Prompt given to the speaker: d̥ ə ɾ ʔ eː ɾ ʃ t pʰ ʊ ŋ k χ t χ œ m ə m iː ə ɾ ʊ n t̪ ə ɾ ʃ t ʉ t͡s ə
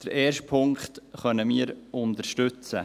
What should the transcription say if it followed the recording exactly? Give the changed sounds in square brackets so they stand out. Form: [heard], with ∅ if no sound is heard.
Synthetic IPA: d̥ ə ɾ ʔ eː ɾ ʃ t pʰ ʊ ŋ k χ t χ œ [n] ə m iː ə ɾ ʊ n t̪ ə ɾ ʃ t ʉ t͡s ə